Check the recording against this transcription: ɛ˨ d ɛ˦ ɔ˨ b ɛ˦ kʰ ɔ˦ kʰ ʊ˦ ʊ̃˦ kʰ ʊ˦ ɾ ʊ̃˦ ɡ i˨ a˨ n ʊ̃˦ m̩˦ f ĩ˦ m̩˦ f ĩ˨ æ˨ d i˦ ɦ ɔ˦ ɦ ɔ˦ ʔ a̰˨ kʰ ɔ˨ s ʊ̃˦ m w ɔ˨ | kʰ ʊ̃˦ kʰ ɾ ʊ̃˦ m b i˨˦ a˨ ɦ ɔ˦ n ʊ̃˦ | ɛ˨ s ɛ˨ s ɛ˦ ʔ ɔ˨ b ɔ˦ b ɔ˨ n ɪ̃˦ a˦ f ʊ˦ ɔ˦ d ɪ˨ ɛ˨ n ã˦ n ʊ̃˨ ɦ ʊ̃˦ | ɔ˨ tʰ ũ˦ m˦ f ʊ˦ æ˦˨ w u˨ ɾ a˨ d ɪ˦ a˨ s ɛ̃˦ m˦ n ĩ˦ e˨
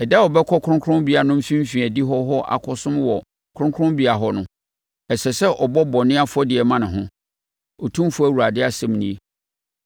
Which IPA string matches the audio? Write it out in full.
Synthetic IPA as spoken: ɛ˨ d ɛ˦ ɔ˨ b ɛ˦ kʰ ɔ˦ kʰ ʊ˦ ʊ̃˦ kʰ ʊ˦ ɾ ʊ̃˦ b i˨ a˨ n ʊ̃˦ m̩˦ f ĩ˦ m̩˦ f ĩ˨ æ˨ d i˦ ɦ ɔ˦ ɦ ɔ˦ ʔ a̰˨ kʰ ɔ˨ s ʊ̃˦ m w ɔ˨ | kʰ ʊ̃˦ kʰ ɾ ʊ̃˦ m b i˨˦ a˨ ɦ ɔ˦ n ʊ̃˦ | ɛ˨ s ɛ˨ s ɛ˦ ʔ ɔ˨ b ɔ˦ b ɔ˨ n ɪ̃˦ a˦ f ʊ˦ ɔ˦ d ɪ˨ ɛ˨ m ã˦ n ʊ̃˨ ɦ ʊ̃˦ | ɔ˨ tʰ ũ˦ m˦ f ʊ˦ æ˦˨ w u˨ ɾ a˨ d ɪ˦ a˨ s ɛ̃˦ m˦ n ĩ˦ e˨

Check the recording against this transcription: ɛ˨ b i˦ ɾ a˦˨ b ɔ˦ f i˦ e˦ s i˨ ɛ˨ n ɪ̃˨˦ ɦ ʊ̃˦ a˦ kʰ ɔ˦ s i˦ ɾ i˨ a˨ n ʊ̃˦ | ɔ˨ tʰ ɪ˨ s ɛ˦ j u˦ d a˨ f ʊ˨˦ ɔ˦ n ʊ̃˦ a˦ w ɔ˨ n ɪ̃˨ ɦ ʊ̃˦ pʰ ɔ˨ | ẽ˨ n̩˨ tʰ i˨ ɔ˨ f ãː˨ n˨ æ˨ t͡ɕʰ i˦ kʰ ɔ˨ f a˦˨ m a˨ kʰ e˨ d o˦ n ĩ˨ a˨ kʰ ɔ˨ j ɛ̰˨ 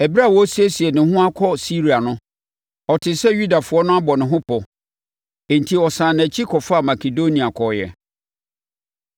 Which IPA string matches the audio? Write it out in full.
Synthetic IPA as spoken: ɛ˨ b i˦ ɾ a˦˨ w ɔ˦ s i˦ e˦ s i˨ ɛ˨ n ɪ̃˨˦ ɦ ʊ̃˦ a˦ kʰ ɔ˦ s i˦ ɾ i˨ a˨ n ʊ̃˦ | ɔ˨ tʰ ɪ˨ s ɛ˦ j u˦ d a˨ f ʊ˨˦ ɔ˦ n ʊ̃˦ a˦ b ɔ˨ n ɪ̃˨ ɦ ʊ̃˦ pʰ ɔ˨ | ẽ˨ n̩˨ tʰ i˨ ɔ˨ s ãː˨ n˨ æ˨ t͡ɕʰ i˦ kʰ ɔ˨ f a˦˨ m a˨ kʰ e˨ d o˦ n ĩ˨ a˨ kʰ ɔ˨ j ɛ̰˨

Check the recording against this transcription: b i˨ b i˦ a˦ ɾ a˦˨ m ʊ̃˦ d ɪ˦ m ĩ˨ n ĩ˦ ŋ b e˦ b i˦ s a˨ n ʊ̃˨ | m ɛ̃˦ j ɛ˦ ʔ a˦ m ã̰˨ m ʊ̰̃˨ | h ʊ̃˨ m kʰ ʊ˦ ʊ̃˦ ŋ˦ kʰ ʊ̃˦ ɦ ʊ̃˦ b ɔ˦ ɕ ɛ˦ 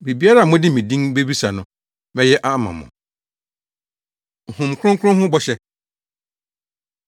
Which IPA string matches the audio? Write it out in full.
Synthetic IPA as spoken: b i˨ b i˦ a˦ ɾ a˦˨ m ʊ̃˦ d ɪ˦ m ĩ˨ d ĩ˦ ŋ b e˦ b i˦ s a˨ n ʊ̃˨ | m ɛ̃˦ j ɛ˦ ʔ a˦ m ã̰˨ m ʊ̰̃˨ | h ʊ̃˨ m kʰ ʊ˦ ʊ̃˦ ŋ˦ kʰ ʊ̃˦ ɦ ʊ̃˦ b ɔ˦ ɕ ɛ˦

